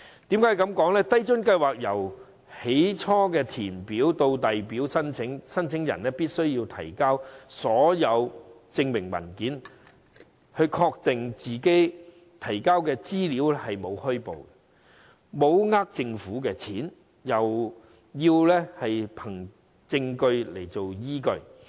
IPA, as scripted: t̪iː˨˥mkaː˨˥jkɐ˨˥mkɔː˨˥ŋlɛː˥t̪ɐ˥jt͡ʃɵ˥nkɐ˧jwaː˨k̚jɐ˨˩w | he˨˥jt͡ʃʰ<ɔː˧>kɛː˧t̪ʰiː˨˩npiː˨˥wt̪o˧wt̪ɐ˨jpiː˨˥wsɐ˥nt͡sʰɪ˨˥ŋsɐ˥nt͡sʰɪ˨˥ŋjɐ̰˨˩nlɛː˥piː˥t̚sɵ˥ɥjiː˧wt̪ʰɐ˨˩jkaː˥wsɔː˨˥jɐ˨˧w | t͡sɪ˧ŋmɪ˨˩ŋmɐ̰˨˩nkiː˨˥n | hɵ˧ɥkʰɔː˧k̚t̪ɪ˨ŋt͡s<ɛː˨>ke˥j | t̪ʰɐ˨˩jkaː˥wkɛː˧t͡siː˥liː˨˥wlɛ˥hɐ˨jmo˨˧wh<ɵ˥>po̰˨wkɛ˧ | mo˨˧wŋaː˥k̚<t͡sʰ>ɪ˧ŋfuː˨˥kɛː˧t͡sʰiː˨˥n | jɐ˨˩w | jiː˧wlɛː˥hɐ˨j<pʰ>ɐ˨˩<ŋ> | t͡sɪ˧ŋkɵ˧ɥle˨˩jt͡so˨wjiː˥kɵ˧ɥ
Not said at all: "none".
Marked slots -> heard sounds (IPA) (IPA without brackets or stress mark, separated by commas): ɔː˥, iː˨, ɵ˥, t͡s, pʰ, ŋ